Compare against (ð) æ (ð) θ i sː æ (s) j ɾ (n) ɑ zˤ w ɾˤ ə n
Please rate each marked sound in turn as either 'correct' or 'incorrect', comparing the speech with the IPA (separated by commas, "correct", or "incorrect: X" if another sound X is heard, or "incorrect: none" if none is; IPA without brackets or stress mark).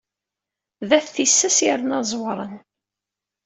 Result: correct, incorrect: θ, correct, correct